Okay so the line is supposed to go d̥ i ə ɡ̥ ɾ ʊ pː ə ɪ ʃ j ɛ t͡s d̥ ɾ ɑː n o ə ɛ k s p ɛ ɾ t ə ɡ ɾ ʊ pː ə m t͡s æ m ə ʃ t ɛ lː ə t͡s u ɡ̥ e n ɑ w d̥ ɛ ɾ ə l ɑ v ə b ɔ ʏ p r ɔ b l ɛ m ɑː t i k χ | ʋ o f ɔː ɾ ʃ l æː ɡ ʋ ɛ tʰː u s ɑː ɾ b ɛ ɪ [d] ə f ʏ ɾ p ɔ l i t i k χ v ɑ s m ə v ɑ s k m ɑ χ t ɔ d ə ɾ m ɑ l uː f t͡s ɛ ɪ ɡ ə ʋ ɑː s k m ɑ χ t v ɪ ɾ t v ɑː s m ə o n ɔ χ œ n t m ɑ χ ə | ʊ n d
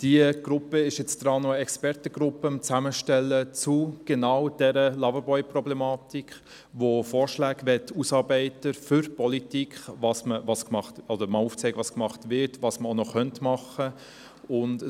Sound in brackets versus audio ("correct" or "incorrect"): incorrect